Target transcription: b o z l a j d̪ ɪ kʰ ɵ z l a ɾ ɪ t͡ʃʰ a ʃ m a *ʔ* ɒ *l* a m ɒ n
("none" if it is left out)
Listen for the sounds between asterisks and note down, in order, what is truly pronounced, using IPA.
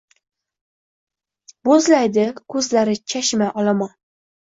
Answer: ʔ, l

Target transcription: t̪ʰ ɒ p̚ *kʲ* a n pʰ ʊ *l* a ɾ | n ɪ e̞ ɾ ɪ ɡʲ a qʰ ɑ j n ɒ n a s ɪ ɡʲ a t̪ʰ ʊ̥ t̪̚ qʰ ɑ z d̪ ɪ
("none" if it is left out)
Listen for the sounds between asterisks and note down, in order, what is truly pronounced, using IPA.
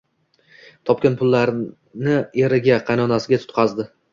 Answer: kʲ, lː

